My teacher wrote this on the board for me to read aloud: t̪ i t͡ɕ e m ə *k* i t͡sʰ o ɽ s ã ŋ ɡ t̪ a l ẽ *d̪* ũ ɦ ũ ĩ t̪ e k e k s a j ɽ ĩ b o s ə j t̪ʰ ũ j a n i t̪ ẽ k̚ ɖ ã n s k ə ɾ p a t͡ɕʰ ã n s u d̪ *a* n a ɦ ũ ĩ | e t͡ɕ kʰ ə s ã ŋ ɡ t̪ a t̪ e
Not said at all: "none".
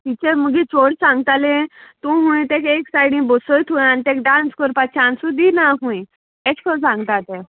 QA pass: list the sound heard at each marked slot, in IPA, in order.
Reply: ɡ, t̪, i

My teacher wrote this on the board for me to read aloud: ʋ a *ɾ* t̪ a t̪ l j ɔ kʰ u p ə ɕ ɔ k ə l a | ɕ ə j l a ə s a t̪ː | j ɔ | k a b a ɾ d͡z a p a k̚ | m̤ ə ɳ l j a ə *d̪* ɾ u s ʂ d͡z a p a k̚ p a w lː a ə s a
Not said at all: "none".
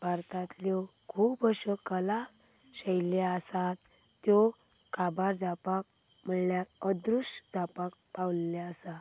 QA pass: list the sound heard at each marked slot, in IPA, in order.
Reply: ɾ, d̪

